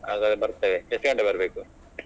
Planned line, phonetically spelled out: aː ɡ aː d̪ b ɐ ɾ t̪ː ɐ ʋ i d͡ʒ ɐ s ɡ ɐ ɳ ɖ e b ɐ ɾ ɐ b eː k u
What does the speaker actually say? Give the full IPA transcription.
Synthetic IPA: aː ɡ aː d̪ b ɐ ɾ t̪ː ɐ ʋ e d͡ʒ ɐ s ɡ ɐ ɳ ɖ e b ɐ ɾ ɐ b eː k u